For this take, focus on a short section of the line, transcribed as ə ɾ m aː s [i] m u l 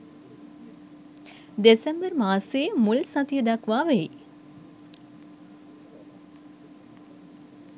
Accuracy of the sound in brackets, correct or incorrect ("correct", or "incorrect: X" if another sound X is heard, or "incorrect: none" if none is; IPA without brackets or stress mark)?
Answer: incorrect: e